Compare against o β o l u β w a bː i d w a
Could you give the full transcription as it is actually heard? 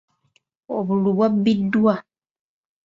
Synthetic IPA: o β u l u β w a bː i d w a